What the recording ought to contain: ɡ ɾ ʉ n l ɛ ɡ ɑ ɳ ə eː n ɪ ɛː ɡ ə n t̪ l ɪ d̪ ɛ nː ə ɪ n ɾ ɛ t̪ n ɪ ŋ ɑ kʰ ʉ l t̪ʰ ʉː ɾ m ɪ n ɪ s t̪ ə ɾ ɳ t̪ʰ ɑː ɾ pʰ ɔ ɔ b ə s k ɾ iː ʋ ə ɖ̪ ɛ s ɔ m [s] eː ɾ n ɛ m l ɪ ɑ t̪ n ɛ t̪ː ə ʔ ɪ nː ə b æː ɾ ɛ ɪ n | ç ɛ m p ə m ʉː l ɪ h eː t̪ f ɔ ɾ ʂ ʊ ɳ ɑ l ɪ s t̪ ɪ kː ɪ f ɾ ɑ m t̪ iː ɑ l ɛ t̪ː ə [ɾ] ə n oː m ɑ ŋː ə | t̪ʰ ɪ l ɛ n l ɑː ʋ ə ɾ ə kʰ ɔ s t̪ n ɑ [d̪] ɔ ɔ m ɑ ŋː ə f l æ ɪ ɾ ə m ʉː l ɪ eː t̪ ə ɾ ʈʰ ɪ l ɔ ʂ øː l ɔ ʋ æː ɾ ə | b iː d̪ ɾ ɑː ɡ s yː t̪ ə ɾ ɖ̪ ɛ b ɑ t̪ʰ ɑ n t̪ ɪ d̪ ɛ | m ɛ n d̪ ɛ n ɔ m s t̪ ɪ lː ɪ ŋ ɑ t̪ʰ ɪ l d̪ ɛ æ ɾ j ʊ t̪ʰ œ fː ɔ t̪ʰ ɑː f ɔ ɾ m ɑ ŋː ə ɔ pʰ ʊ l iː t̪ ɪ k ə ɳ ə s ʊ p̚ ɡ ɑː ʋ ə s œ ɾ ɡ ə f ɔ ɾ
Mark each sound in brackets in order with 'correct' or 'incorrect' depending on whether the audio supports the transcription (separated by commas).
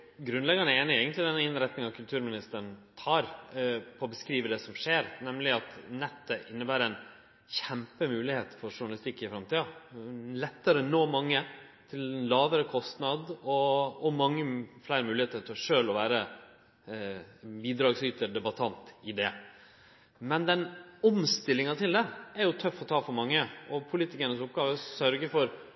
incorrect, correct, correct